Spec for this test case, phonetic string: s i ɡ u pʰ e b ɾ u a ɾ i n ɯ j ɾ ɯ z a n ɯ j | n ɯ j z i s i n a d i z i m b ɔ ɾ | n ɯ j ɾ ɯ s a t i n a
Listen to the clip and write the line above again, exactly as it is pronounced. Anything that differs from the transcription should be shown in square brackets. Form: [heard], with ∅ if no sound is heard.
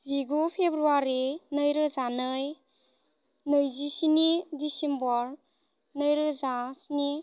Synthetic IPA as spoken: [z] i ɡ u pʰ e b ɾ u a ɾ i n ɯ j ɾ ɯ z a n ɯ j | n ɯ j z i s i n [i] d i [s] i m b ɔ ɾ | n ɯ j ɾ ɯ [z] a [s] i n [i]